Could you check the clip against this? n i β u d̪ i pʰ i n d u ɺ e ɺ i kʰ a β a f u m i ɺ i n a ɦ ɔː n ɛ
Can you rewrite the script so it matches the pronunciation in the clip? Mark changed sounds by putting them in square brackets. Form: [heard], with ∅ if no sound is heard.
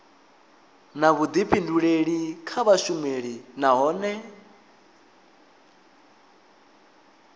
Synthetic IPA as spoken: n [a] β u d̪ i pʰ i n d u ɺ e ɺ i kʰ a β a [ʃ] u m [e] ɺ i n a ɦ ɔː n ɛ